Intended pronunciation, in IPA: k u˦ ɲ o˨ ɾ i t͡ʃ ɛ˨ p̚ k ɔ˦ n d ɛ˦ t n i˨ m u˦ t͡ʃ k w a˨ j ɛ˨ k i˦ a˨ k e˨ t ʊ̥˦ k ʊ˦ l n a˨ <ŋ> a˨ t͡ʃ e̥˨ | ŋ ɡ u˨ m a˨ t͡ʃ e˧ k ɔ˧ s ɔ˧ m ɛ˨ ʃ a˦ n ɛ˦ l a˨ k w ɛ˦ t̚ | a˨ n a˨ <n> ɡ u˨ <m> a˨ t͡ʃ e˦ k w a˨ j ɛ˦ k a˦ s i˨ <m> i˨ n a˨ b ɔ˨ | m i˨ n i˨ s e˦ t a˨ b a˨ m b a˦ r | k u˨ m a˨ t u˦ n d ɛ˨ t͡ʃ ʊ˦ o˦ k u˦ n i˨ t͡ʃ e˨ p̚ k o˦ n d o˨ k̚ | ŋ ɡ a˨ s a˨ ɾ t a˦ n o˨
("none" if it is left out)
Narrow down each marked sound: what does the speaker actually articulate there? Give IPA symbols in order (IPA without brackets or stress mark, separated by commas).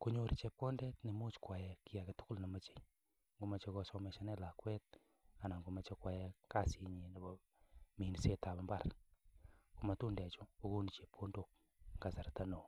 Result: m, ŋ, m, ɲ